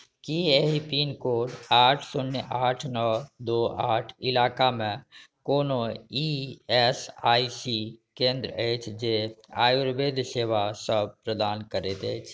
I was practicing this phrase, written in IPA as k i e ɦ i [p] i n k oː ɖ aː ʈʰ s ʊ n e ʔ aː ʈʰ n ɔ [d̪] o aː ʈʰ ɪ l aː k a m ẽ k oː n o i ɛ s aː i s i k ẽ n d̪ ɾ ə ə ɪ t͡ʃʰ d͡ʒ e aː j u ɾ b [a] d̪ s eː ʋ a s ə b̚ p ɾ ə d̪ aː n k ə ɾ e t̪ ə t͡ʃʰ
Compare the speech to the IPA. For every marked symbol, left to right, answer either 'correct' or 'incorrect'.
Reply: correct, correct, incorrect

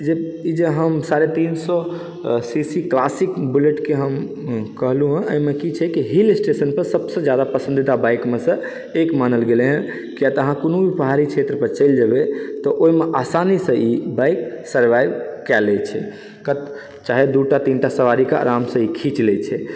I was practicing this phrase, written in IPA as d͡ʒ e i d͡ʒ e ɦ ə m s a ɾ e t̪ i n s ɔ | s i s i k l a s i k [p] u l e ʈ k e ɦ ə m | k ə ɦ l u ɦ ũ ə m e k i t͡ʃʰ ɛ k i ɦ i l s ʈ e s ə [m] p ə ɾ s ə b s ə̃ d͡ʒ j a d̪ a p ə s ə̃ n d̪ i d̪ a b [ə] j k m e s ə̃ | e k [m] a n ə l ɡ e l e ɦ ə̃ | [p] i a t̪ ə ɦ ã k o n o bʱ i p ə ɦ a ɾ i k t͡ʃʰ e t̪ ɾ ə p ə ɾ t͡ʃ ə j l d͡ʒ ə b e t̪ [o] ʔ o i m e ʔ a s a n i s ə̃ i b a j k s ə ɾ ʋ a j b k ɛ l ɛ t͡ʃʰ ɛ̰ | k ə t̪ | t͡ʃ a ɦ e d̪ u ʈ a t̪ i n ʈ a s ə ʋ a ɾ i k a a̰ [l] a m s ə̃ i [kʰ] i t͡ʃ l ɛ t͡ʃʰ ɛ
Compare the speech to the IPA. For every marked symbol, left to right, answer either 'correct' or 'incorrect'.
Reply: incorrect, incorrect, incorrect, correct, incorrect, incorrect, incorrect, correct

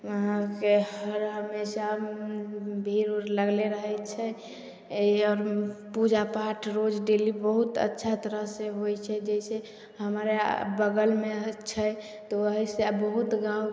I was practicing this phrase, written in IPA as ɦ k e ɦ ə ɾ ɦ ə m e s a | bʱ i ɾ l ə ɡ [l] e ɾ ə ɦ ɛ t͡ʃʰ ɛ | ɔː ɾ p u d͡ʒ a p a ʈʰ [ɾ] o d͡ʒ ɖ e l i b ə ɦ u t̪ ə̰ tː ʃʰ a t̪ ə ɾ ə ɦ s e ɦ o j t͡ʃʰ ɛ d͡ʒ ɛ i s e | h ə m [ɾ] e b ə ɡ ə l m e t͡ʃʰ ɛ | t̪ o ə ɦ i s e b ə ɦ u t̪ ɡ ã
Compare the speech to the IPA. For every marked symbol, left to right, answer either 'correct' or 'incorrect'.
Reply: correct, correct, correct

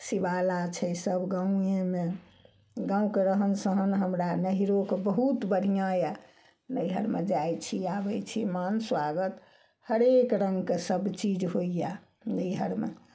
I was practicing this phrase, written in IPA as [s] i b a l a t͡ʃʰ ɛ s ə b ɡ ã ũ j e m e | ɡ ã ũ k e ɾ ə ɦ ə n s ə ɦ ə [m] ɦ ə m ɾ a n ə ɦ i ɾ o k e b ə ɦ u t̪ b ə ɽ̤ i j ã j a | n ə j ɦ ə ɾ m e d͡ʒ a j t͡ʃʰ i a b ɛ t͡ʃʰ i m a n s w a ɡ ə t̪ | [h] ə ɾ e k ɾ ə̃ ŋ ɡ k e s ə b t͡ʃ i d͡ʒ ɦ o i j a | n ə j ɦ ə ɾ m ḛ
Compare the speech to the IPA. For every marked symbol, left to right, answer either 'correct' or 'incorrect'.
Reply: correct, incorrect, correct

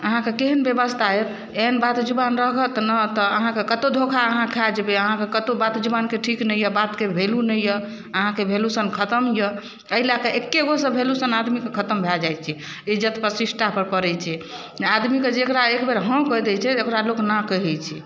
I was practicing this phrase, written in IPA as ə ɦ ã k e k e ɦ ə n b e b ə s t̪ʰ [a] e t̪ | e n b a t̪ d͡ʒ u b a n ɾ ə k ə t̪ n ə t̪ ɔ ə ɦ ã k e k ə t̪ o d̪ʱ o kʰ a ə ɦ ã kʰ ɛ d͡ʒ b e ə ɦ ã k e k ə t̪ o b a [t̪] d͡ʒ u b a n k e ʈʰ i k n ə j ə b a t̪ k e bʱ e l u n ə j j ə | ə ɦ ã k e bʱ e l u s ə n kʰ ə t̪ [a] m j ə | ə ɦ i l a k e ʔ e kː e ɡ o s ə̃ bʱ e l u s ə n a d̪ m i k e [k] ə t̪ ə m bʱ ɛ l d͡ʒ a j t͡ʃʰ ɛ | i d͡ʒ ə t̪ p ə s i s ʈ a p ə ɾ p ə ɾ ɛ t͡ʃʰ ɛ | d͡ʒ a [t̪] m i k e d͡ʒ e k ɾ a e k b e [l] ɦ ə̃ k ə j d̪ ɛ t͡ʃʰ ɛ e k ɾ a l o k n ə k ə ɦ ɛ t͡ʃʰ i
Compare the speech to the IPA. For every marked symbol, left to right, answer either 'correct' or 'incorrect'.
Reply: correct, correct, incorrect, incorrect, incorrect, incorrect

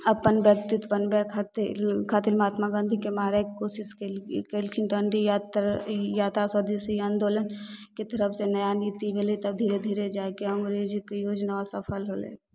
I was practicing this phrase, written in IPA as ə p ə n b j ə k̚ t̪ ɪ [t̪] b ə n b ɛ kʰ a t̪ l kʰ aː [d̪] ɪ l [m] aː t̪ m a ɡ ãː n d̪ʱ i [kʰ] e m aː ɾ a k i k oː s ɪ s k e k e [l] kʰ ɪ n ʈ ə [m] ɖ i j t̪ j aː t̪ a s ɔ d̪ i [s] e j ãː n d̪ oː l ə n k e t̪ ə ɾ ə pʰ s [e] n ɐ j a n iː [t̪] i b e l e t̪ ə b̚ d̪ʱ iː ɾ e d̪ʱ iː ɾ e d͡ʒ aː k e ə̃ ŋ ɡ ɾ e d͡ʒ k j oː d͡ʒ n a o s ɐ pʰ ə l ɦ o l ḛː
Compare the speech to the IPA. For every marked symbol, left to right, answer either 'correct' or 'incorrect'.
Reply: correct, incorrect, correct, incorrect, correct, incorrect, correct, correct, correct

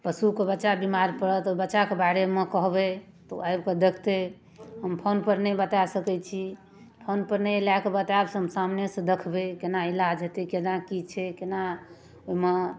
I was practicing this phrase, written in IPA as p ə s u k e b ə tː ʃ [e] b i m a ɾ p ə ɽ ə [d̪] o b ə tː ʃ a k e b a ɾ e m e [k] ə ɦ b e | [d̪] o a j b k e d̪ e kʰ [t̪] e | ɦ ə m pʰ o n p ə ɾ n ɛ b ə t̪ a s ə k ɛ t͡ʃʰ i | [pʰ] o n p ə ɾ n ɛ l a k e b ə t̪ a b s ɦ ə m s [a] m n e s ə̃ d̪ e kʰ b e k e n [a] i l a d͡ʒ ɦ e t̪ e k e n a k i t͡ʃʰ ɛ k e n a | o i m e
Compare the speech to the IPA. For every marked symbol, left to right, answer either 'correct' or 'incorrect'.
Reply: incorrect, incorrect, correct, incorrect, correct, correct, correct, correct

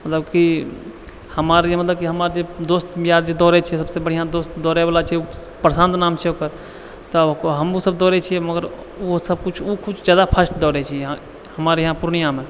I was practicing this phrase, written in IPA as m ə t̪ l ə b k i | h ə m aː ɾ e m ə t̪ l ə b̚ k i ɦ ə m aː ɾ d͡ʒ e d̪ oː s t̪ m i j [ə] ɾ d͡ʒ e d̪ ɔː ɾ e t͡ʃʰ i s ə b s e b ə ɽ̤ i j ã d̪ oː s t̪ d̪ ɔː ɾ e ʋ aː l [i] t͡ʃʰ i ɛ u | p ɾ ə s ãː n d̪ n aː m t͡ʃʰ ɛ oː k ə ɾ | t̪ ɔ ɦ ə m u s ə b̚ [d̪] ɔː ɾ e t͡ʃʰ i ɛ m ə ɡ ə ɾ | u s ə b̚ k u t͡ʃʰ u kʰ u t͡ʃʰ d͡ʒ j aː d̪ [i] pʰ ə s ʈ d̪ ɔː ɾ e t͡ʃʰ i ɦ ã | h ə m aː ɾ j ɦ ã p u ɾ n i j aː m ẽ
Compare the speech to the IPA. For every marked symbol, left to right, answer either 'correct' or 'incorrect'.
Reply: incorrect, incorrect, correct, incorrect

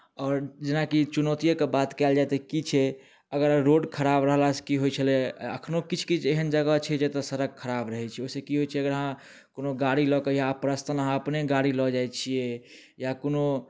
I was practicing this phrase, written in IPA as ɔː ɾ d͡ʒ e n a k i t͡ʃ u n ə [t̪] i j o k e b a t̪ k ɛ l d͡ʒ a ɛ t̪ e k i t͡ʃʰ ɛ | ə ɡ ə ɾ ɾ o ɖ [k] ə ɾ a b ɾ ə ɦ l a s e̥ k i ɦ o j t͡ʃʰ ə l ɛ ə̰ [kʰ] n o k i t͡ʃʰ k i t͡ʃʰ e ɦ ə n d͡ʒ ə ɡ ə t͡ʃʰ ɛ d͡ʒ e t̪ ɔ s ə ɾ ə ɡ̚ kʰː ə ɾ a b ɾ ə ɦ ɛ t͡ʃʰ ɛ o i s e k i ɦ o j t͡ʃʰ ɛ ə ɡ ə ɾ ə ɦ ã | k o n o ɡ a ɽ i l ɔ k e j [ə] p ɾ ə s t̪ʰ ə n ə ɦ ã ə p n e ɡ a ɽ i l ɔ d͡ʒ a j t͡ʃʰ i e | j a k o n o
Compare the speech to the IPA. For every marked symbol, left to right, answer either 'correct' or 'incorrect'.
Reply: correct, incorrect, correct, incorrect

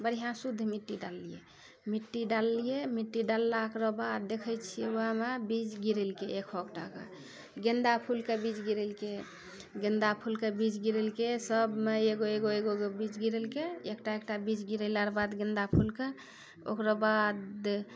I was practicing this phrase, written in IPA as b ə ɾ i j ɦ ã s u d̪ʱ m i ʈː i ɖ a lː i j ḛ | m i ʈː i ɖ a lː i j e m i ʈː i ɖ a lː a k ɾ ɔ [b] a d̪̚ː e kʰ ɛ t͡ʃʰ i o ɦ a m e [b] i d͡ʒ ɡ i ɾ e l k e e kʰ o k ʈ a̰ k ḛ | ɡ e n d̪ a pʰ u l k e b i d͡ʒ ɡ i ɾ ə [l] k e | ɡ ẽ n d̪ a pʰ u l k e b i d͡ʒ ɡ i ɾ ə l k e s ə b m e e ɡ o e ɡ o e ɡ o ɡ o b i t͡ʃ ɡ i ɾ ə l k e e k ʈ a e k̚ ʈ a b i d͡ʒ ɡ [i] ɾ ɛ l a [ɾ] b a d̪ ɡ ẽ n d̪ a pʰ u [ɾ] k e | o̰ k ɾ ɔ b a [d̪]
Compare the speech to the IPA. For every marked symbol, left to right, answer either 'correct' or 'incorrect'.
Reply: correct, correct, correct, correct, correct, incorrect, correct

